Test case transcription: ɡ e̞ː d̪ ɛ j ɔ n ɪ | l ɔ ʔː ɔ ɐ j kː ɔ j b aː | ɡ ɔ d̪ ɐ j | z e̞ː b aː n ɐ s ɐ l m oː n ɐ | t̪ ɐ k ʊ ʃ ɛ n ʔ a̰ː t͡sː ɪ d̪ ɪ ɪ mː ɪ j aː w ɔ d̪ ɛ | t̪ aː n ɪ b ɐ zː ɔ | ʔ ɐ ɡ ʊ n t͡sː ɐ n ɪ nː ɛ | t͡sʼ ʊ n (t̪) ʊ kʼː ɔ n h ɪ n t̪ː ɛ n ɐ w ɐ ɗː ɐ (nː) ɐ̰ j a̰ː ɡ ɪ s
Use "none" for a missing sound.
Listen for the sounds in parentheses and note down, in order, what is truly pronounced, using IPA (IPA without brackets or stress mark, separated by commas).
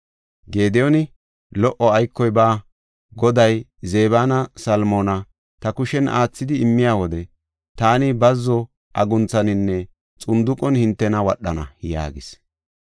d̪, n